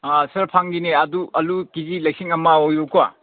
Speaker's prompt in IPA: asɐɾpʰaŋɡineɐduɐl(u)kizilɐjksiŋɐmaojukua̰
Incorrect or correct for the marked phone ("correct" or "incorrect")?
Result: correct